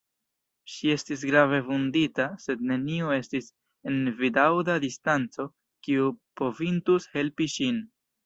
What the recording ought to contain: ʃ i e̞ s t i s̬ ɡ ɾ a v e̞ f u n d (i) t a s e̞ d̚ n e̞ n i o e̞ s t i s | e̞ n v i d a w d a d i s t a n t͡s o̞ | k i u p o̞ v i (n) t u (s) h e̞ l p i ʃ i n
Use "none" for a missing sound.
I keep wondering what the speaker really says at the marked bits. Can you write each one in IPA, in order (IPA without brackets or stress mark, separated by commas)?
i, n, s